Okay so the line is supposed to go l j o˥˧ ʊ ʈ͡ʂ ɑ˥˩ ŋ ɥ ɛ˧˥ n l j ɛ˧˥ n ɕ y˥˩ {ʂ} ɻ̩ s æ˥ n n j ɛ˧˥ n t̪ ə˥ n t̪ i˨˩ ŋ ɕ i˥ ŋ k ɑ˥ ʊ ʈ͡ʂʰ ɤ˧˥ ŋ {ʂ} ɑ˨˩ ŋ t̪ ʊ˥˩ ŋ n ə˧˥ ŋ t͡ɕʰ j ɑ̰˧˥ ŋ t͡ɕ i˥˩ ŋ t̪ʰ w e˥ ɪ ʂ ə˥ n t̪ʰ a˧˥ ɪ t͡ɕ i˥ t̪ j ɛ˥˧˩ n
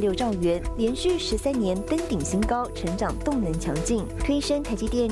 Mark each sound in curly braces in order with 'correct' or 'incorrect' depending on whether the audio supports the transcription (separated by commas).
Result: correct, incorrect